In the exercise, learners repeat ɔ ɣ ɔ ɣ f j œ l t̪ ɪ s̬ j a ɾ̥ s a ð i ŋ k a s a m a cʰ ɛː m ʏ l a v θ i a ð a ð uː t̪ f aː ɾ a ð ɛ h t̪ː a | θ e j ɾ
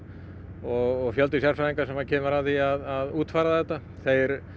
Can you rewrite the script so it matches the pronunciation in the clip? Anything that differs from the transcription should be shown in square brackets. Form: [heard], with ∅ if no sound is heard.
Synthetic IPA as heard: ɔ ɣ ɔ ɣ f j œ l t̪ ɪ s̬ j a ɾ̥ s a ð i ŋ k a s [ɛ] m a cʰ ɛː m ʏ [ɾ] a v θ i a ð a ð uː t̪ f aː ɾ a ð ɛ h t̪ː a | θ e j ɾ